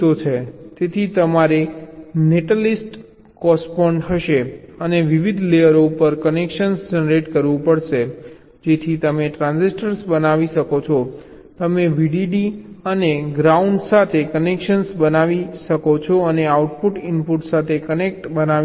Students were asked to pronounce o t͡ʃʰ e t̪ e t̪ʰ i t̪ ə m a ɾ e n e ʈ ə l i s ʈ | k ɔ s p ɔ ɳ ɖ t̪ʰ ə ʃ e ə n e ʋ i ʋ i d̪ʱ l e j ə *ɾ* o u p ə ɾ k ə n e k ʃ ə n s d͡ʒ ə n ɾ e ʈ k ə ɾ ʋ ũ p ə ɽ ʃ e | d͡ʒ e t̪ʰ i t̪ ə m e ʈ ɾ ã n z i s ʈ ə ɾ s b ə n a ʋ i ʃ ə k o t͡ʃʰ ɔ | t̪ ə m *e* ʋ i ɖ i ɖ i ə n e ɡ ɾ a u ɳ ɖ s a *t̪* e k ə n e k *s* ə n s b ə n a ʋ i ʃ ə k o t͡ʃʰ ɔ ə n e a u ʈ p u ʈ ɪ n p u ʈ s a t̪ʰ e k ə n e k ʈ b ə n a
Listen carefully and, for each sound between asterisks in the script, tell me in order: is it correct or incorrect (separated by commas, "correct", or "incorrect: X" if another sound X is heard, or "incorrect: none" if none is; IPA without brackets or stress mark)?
correct, correct, incorrect: t̪ʰ, incorrect: ʃ